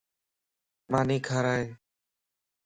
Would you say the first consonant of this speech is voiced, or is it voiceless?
voiced